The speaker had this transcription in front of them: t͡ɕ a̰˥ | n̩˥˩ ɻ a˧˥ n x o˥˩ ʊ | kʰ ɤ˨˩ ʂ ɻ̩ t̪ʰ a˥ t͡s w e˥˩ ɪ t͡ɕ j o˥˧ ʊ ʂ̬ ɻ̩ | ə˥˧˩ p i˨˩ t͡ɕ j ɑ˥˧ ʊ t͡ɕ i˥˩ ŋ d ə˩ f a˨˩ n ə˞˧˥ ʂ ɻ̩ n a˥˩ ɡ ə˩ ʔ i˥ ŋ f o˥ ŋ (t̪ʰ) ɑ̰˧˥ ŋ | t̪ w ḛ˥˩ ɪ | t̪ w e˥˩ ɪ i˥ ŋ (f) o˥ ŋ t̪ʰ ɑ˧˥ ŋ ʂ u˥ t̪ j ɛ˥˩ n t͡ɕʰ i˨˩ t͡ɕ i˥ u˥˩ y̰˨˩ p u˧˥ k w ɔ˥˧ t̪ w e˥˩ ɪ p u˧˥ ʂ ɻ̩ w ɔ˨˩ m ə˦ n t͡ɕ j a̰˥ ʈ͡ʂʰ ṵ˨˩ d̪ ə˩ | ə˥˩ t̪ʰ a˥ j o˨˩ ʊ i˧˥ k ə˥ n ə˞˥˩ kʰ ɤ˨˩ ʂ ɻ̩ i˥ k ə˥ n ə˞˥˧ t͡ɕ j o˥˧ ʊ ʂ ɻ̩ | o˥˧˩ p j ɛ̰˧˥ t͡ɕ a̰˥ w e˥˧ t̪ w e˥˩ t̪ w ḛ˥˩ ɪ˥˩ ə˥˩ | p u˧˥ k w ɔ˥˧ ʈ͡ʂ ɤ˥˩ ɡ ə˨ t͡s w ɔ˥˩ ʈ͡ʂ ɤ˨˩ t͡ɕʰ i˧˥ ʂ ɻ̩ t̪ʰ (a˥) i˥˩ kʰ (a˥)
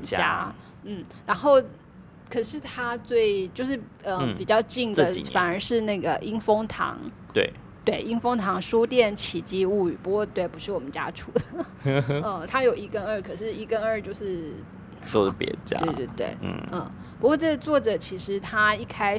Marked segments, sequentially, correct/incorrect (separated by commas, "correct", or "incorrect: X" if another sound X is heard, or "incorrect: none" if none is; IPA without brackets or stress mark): correct, correct, correct, correct